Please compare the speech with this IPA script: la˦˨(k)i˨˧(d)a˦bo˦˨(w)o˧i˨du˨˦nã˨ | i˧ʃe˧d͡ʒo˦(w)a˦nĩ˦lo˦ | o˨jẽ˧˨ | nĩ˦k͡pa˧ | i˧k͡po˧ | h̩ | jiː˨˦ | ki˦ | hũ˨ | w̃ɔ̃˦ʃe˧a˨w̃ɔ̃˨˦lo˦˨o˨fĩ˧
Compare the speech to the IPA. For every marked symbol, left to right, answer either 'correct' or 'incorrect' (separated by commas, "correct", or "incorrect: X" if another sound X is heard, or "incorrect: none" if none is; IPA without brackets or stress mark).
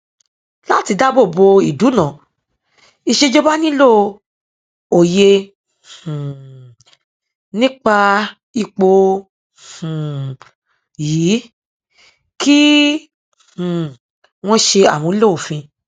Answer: incorrect: t, correct, incorrect: b, incorrect: b